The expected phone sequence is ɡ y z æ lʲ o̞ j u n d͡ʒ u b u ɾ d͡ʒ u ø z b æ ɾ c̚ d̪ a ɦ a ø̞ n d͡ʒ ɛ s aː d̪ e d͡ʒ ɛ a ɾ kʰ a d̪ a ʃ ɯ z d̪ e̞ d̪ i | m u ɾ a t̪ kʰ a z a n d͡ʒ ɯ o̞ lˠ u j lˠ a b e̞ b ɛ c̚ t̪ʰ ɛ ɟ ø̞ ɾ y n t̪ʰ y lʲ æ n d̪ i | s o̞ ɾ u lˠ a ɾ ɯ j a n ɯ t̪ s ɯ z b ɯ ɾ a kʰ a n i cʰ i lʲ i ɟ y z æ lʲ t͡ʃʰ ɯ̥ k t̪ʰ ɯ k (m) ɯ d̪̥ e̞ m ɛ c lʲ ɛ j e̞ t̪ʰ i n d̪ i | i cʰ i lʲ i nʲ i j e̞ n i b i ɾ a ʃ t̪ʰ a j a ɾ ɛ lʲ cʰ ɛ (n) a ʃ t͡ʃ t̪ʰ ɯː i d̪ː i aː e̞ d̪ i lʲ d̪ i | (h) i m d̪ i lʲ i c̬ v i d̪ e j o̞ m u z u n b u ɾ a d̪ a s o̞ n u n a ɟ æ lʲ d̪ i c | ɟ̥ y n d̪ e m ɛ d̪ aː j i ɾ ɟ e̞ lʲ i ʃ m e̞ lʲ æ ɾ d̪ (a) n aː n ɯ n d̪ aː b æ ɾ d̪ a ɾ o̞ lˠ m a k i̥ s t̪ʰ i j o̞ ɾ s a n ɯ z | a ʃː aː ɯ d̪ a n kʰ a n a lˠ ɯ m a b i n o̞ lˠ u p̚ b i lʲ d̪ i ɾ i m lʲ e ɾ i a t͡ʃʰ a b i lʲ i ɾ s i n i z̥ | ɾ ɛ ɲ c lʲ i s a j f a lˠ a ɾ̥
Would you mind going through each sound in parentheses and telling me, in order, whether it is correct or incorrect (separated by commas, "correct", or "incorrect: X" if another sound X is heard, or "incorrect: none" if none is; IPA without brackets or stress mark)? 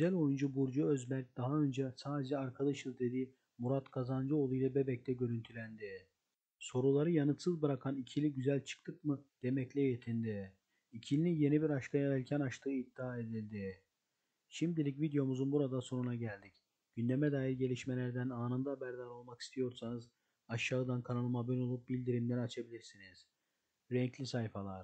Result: correct, correct, incorrect: ʃ, incorrect: æ